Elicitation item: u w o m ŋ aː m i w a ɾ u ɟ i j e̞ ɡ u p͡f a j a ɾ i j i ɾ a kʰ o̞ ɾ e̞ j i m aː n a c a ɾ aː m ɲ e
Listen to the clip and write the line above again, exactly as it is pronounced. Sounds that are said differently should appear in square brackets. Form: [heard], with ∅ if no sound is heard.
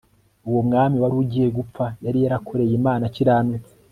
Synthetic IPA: u w o m ŋ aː m i w a ɾ u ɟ i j e̞ ɡ u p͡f a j a ɾ i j [a] ɾ a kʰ o̞ ɾ e̞ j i m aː n a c [i] ɾ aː m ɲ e